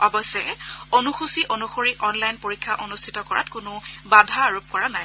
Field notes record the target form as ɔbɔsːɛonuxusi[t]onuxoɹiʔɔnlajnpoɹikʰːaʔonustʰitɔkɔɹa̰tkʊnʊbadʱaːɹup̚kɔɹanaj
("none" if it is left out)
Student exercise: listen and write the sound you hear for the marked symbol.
ʔ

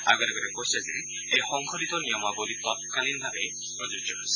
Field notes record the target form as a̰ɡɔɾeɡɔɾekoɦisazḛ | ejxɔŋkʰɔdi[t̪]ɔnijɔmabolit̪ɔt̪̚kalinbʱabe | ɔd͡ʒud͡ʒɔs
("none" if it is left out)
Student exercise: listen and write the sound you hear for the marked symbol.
t̪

